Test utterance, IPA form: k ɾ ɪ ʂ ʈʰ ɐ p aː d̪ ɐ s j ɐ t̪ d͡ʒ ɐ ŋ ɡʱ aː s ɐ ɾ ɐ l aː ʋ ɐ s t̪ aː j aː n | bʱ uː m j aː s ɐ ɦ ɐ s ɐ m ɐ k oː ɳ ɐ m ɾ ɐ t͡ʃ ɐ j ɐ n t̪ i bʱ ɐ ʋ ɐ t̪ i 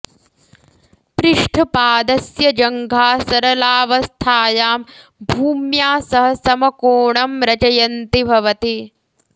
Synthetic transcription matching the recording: p ɾ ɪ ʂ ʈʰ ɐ p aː d̪ ɐ s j ɐ d͡ʒ ɐ ŋ ɡʱ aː s ɐ ɾ ɐ l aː ʋ ɐ s t̪ʰ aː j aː m | bʱ uː m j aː s ɐ ɦ ɐ s ɐ m ɐ k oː ɳ ɐ m ɾ ɐ t͡ʃ ɐ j ɐ n t̪ i bʱ ɐ ʋ ɐ t̪ i